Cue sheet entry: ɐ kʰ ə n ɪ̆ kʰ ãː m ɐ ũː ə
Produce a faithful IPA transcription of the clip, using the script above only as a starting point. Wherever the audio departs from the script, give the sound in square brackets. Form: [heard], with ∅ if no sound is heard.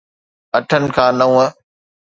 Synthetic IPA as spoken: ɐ [ʈʰ] ə n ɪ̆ kʰ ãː [n] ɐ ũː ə